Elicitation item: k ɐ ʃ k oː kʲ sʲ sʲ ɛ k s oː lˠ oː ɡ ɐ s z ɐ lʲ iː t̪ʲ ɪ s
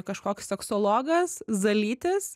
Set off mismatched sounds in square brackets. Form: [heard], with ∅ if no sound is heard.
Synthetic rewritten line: k ɐ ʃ k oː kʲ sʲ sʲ ɛ k s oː lˠ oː ɡ ɐ s z ɐ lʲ iː t̪ʲ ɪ s